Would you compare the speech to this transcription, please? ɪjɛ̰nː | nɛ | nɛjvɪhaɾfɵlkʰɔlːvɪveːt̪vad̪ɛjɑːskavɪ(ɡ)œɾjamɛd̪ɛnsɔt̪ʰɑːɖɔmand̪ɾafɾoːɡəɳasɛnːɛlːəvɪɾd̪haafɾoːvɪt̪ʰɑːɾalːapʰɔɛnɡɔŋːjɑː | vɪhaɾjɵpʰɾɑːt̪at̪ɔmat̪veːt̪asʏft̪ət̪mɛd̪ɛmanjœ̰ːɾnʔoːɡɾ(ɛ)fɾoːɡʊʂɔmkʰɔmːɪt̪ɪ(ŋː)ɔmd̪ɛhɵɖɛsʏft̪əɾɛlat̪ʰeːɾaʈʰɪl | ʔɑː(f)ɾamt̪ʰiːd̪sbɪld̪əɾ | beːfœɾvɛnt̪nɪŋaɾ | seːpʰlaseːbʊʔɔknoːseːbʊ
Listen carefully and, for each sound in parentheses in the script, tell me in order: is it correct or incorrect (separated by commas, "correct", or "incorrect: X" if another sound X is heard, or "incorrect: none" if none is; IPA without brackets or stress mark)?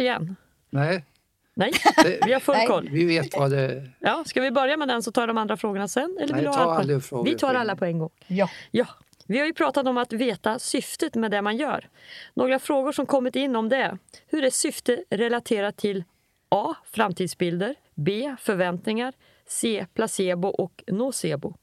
incorrect: b, incorrect: a, incorrect: nː, correct